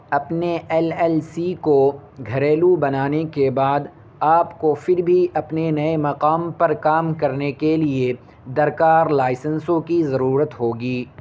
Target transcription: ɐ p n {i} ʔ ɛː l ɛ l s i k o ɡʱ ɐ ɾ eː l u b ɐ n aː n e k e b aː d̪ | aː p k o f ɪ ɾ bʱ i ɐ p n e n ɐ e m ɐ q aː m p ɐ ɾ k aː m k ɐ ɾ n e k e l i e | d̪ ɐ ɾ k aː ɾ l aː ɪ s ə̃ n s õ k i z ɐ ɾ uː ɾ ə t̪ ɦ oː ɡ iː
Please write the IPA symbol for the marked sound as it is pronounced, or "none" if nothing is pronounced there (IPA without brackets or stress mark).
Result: e